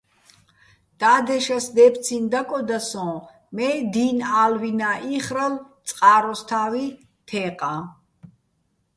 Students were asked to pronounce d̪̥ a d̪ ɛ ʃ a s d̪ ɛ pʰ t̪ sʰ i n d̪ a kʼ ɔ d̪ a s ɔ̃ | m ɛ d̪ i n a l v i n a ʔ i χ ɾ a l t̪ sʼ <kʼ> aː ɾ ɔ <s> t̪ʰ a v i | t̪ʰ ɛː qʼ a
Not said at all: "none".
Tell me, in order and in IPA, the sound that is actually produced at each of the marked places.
qʼ, s

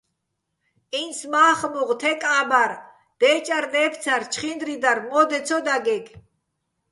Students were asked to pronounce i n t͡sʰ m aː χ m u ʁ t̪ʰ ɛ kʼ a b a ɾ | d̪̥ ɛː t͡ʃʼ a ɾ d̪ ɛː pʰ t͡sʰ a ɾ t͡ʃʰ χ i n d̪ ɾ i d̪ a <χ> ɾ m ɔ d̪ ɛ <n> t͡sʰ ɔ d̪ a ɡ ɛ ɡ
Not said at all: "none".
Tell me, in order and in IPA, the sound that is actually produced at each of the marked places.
none, none

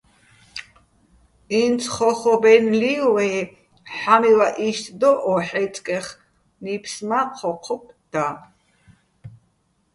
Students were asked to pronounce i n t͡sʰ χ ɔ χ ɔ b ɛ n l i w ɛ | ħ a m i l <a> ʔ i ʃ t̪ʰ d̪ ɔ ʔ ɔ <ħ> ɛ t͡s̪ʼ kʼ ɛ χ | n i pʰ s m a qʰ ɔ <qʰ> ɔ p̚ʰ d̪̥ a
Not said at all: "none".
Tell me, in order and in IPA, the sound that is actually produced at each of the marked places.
a, ħ, qʰ

